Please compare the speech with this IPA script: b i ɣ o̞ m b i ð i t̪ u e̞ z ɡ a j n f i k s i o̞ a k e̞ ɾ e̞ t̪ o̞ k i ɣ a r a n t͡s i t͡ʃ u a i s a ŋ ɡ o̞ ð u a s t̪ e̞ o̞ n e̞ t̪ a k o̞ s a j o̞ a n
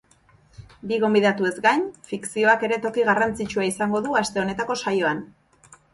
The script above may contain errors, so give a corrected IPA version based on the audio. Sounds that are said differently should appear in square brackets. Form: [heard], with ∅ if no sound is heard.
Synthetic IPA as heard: b i ɣ o̞ m b i ð [a] t̪ u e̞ z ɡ a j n f i k s i o̞ a k e̞ ɾ e̞ t̪ o̞ k i ɣ a r a n t͡s i t͡ʃ u a i s a ŋ ɡ o̞ ð u a s t̪ e̞ o̞ n e̞ t̪ a k o̞ s a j o̞ a n